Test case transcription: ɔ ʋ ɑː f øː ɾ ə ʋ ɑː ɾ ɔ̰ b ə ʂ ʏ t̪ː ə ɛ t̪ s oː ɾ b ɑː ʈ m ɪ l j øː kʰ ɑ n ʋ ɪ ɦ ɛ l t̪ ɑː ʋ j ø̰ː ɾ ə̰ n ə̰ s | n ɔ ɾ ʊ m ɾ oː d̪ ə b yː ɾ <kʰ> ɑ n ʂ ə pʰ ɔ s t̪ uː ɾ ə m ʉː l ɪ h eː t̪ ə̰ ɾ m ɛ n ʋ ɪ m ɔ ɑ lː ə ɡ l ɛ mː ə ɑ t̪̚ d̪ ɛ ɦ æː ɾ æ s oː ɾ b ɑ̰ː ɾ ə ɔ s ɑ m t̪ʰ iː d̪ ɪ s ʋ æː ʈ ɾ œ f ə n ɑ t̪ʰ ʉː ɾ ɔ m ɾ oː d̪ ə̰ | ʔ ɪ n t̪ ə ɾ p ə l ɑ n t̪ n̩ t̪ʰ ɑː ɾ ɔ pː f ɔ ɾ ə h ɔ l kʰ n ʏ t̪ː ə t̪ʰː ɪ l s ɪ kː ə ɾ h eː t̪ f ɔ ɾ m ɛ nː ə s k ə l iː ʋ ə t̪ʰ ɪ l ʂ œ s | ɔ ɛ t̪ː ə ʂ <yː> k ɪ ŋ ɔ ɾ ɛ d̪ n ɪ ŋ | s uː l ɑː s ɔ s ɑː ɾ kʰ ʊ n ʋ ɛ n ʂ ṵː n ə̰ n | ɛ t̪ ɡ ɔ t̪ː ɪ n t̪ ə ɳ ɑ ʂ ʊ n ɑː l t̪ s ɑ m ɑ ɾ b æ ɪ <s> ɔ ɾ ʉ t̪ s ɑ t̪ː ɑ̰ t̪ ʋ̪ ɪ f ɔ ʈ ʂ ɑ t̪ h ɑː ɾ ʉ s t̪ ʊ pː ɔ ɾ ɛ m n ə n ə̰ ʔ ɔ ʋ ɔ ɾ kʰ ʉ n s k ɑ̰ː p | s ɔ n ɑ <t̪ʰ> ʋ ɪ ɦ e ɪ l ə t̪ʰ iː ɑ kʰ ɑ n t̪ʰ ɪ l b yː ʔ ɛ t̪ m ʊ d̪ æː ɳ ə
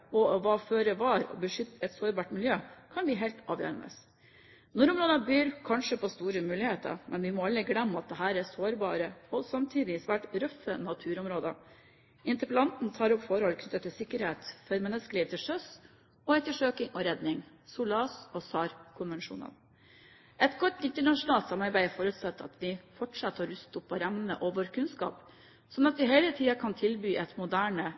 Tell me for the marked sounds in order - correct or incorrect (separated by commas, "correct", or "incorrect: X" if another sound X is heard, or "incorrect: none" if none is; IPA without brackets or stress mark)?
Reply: correct, incorrect: øː, incorrect: f, incorrect: t̪